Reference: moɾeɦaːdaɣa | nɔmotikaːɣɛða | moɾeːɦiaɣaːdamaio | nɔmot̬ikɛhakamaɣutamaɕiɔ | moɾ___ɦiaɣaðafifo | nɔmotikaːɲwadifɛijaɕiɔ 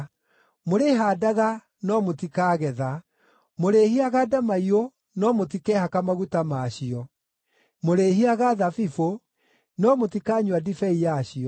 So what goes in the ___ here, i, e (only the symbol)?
e